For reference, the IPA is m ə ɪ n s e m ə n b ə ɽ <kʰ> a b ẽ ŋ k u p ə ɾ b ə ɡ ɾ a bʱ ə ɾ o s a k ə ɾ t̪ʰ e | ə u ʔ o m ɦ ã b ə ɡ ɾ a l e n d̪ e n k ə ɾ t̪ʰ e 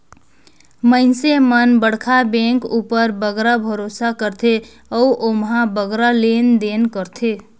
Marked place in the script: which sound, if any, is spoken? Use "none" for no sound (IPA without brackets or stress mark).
kʰ